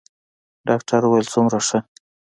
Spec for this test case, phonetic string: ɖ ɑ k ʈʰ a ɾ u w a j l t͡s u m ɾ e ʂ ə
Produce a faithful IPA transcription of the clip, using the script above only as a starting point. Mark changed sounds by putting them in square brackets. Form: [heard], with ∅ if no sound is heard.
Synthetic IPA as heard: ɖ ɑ k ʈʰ a ɾ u w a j l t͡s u m ɾ [a] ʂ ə